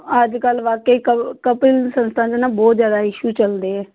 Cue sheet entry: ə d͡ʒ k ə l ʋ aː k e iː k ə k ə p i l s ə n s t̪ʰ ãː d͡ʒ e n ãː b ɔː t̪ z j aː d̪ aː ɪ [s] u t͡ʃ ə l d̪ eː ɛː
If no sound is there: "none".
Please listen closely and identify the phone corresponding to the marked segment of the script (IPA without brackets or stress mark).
ʃ